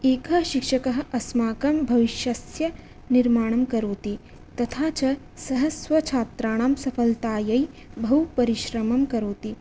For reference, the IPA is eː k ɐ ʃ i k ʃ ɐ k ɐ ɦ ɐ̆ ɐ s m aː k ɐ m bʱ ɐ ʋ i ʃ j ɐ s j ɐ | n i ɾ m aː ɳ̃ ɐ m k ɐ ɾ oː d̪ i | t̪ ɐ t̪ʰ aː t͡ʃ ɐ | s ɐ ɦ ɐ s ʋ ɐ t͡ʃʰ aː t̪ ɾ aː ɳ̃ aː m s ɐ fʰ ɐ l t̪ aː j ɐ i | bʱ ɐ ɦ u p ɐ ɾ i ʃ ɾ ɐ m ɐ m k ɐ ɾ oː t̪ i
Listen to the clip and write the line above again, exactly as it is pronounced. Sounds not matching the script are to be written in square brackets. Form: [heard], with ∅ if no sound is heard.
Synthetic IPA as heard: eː k ɐ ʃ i k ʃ ɐ k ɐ ɦ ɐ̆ ɐ s m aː k ɐ m bʱ ɐ ʋ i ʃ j ɐ s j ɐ | n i ɾ m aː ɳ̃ ɐ m k ɐ ɾ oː [t̪] i | t̪ ɐ t̪ʰ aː t͡ʃ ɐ | s ɐ ɦ ɐ s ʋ ɐ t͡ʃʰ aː t̪ ɾ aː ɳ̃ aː m s ɐ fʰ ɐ l t̪ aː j ɐ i | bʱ ɐ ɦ u p ɐ ɾ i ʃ ɾ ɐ m ɐ m k ɐ ɾ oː t̪ i